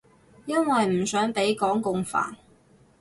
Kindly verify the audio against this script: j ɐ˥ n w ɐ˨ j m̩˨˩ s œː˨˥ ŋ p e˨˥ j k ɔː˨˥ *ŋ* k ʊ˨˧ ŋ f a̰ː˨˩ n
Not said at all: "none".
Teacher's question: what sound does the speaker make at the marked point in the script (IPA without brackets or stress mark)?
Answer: ŋ